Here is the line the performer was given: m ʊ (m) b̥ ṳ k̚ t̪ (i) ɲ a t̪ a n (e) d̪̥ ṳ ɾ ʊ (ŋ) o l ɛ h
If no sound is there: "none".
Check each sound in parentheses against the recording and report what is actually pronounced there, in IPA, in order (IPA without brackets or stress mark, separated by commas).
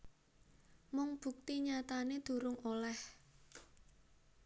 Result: ŋ, i, e, ŋ